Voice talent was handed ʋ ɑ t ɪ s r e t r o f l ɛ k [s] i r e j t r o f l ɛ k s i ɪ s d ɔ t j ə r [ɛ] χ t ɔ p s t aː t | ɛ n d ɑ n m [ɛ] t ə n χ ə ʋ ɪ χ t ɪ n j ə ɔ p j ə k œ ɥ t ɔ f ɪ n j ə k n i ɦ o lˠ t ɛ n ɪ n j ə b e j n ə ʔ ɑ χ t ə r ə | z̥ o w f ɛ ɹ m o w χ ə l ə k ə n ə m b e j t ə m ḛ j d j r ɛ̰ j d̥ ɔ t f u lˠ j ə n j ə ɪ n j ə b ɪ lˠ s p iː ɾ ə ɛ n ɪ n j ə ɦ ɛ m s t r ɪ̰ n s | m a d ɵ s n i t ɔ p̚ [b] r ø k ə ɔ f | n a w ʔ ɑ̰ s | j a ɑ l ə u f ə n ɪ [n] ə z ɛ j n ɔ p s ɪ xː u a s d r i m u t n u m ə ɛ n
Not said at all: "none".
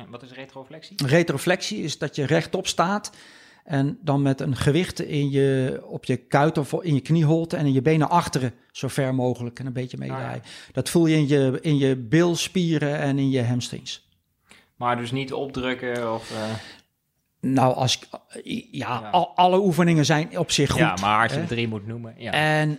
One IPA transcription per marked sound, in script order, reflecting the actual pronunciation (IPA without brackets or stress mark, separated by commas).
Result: s, ɛ, ɛ, d, ŋ